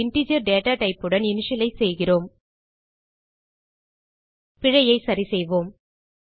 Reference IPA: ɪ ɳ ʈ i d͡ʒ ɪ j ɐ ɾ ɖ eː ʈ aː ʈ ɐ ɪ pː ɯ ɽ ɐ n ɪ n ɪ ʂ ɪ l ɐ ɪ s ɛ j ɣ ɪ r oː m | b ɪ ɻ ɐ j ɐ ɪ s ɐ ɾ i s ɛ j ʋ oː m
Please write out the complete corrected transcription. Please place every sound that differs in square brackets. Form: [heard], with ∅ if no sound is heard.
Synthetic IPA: ɪ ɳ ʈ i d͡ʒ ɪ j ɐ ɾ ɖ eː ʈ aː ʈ ɐ ɪ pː ɯ ɽ ɐ n ɪ n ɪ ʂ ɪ l ɐ ɪ s ɛ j ɣ ɪ r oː m | [p] ɪ ɻ ɐ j ɐ ɪ s ɐ ɾ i s ɛ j ʋ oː m